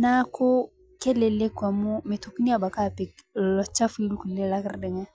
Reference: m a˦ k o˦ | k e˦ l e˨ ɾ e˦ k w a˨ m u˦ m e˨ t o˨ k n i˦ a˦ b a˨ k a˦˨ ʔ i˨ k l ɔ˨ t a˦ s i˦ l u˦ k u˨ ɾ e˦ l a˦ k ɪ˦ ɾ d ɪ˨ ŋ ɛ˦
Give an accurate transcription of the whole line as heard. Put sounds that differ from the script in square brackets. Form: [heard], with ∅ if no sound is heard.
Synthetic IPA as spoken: [n] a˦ k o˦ | k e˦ l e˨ [l] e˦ k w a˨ m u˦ m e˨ t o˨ k n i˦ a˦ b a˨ k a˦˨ [p] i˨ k l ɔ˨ [t͡ʃ] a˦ [f] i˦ l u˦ k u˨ [l] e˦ l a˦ k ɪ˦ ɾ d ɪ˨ ŋ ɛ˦